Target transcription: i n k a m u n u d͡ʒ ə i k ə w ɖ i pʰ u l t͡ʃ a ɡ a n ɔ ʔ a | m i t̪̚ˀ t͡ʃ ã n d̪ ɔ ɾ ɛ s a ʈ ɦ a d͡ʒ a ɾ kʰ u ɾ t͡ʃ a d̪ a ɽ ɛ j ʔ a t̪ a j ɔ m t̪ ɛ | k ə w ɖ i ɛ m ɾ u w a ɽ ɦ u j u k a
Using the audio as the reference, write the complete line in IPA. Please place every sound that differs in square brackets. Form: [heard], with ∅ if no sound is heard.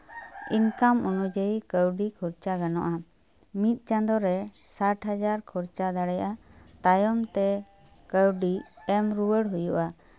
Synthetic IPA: i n k a m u n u d͡ʒ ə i k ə w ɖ i [kʰ] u [ɾ] t͡ʃ a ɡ a n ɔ ʔ a | m i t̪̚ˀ t͡ʃ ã n d̪ ɔ ɾ ɛ s a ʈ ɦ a d͡ʒ a ɾ kʰ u ɾ t͡ʃ a d̪ a ɽ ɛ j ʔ a t̪ a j ɔ m t̪ ɛ | k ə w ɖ i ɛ m ɾ u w [ə] ɽ ɦ u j u [ʔ] a

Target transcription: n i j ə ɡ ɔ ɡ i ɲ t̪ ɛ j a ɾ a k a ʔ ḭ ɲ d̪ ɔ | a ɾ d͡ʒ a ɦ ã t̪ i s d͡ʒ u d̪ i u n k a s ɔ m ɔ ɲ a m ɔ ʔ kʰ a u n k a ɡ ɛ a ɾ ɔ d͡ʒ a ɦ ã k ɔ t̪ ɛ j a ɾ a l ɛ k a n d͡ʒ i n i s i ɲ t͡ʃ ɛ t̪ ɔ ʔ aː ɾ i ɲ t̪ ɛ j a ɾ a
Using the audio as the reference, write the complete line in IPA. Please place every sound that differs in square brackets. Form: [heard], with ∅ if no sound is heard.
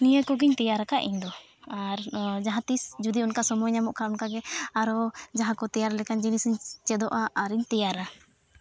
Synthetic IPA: n i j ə [k] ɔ ɡ i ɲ t̪ ɛ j a ɾ a k a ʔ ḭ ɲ d̪ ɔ | a ɾ d͡ʒ a ɦ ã t̪ i s d͡ʒ u d̪ i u n k a s ɔ m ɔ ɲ a m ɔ ʔ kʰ a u n k a ɡ ɛ a ɾ ɔ d͡ʒ a ɦ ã k ɔ t̪ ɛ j a ɾ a l ɛ k a n d͡ʒ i n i s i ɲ t͡ʃ ɛ [d̪] ɔ ʔ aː ɾ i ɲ t̪ ɛ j a ɾ a

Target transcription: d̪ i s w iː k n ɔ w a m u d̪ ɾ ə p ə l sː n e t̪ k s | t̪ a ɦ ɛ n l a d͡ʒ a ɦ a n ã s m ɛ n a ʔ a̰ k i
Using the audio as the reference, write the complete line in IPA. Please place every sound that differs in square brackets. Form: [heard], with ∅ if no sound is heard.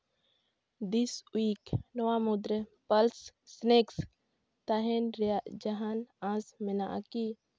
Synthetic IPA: d̪ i s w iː k n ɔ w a m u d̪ ɾ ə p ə l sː n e [∅] k s | t̪ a ɦ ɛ n [ɾ] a d͡ʒ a ɦ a n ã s m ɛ n a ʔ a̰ k i

